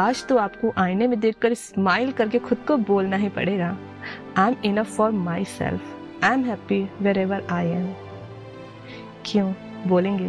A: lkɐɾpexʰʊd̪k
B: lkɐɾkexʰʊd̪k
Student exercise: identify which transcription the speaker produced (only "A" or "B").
B